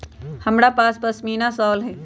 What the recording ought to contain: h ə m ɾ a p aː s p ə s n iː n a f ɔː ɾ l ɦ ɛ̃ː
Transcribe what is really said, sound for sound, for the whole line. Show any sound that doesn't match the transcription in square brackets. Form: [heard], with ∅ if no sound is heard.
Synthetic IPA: h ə m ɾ a p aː s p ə s [m] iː n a [s] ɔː [∅] l ɦ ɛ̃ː